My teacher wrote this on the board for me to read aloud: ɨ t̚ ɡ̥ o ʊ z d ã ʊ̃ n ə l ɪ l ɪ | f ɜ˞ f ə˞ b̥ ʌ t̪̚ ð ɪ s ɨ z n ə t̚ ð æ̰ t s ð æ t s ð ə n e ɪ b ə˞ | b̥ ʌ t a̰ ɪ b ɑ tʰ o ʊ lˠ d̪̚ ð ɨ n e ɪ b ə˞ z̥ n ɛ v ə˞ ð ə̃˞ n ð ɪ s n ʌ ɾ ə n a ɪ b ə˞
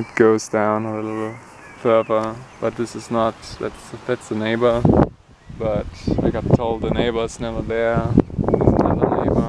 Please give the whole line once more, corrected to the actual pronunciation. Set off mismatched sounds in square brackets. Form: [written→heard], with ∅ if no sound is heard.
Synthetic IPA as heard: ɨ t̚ ɡ̥ o ʊ z d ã ʊ̃ n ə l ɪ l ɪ | f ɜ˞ [f→v] ə˞ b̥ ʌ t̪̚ ð ɪ s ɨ z n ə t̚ ð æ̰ t s ð æ t s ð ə n e ɪ b ə˞ | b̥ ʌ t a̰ ɪ [b→ɡ] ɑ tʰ o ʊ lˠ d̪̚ ð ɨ n e ɪ b ə˞ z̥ n ɛ v ə˞ ð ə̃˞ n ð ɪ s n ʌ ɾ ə n [a→e] ɪ b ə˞